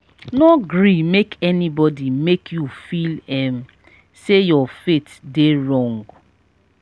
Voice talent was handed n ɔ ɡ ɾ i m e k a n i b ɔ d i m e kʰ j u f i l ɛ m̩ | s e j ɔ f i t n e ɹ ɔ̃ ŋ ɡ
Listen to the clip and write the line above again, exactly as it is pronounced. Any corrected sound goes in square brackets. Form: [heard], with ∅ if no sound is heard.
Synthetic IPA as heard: n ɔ ɡ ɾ i m e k [ɛ] n i b ɔ d i m e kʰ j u f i l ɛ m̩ | s e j ɔ f [e] t [d] e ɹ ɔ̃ ŋ ɡ

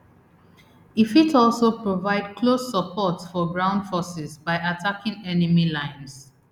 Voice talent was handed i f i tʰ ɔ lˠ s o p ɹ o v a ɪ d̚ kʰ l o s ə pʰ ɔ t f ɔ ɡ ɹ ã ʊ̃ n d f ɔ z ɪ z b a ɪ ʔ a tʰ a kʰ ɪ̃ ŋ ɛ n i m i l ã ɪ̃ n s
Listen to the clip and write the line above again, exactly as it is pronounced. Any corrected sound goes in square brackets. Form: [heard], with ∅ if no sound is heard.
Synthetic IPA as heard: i f i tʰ ɔ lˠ s o p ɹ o v a ɪ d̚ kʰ l o s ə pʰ ɔ t f ɔ ɡ ɹ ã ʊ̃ n d f ɔ [s] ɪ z b a ɪ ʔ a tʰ a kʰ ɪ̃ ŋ ɛ n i m i l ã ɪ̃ n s

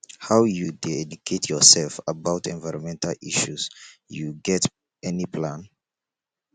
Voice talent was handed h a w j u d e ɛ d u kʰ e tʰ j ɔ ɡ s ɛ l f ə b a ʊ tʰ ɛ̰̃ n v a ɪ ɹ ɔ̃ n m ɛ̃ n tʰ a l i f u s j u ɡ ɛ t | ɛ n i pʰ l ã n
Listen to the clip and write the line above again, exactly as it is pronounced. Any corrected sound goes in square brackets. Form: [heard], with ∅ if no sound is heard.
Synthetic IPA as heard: h a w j u d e ɛ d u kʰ e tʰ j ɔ [∅] s ɛ l f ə b a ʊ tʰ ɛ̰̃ n v a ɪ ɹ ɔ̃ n m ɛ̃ n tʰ a l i [ʃ] u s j u ɡ ɛ t | ɛ n i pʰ l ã n

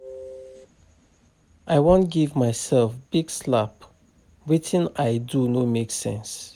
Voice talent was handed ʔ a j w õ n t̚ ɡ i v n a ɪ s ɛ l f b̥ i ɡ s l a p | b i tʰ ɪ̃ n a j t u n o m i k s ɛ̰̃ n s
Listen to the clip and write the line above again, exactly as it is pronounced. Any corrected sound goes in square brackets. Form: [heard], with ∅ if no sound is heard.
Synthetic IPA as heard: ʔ a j w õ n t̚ ɡ i v [m] a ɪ s ɛ l f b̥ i ɡ s l a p | [w] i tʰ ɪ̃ n a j [d] u n o m [e] k s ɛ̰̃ n s

